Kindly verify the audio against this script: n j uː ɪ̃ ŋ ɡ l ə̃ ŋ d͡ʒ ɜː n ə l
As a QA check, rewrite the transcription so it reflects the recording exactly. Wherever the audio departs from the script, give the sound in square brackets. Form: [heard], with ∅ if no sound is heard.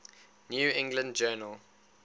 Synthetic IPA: n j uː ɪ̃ ŋ ɡ l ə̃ [n] d͡ʒ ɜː n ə l